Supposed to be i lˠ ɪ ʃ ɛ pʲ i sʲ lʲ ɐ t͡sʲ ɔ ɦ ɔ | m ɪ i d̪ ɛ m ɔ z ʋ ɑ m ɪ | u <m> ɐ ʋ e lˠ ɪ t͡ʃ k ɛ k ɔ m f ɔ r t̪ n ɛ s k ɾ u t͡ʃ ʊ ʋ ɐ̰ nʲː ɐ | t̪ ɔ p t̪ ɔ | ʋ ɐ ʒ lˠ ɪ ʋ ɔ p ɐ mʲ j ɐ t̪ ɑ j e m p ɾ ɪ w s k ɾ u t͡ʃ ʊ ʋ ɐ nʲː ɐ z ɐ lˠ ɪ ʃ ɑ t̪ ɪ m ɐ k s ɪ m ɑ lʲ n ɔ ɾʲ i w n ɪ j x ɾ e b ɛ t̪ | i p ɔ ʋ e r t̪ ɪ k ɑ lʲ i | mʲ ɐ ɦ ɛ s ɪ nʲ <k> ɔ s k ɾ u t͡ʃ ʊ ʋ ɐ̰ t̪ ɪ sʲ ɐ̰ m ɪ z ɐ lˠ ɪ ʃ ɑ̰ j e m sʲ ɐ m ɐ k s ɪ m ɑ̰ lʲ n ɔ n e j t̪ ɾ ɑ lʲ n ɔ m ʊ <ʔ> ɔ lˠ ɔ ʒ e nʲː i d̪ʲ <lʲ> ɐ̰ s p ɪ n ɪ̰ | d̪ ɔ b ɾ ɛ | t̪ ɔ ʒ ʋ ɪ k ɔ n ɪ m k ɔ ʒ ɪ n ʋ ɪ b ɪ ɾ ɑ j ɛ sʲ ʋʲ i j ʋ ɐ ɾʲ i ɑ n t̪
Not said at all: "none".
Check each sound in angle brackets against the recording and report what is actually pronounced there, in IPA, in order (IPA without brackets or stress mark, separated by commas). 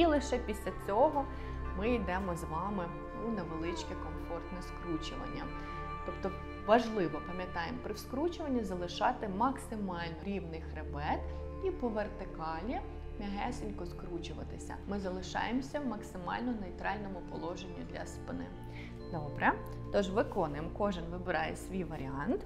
n, k, p, lʲ